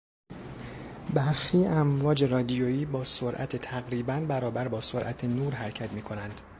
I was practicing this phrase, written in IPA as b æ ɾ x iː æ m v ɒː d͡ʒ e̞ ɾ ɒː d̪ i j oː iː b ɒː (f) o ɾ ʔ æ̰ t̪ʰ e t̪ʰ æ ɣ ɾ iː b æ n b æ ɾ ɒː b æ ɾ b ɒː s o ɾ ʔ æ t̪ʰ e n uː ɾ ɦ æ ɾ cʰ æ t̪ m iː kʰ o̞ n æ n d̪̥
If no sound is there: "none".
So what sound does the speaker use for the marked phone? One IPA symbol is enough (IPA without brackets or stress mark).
s